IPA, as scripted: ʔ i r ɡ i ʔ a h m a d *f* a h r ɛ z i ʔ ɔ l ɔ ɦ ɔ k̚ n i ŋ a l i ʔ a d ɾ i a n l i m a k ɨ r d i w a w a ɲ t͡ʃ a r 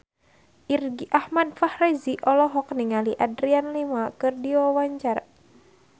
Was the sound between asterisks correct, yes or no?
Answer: yes